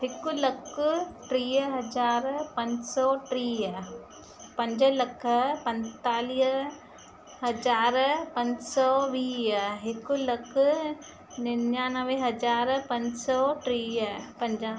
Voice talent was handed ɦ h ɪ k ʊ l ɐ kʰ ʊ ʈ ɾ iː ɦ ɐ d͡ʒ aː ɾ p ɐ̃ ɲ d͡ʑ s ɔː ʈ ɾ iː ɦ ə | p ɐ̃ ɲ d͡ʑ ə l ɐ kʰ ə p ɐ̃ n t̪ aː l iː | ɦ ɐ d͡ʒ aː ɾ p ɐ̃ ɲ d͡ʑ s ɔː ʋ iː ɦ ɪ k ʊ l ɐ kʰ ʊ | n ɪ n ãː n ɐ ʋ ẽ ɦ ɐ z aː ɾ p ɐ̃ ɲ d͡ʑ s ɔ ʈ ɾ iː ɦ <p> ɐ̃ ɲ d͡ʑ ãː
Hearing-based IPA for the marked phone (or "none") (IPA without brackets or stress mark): p